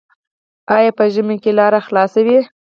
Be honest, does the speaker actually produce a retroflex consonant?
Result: no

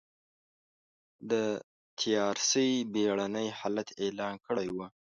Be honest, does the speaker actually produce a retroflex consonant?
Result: yes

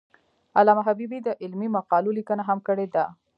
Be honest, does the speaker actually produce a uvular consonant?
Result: yes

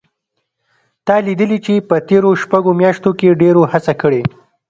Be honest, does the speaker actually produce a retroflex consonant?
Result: yes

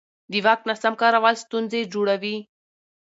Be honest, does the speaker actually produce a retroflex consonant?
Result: yes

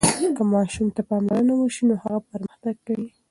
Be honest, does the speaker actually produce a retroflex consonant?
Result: no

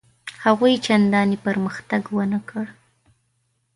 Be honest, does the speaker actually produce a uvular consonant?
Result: no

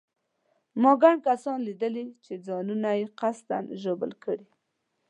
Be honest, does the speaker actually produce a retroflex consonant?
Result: yes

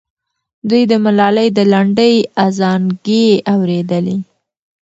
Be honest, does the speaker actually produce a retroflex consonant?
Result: yes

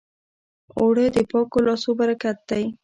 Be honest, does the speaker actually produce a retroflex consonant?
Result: yes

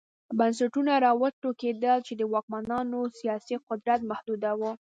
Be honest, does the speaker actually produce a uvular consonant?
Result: yes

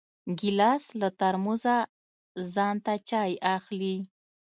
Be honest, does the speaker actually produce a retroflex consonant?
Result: no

